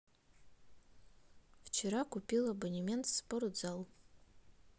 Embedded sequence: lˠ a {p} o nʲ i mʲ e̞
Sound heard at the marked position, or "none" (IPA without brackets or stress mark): b